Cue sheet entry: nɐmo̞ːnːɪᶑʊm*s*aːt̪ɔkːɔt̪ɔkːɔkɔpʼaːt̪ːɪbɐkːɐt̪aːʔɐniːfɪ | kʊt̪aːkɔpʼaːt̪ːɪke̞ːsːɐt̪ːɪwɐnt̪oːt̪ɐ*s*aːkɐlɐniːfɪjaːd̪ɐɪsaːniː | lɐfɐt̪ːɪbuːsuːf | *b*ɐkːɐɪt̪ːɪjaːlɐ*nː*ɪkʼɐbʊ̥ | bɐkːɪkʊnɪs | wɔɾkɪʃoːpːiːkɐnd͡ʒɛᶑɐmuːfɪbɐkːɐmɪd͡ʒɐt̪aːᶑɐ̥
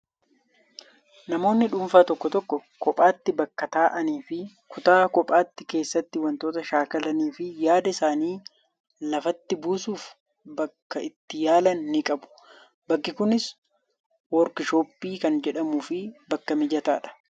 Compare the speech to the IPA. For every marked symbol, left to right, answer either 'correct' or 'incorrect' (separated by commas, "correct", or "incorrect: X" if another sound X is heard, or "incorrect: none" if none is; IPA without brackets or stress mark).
incorrect: f, incorrect: ʃ, correct, correct